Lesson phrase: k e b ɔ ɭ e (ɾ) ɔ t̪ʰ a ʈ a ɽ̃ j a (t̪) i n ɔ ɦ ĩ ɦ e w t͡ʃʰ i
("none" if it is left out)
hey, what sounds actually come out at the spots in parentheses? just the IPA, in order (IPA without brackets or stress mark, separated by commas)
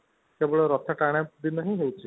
ɾ, d̪